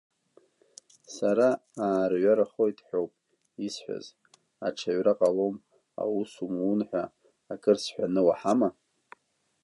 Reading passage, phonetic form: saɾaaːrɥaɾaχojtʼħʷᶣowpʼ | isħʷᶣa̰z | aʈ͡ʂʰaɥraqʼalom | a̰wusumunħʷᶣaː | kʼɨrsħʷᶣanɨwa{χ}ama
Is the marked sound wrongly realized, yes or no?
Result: yes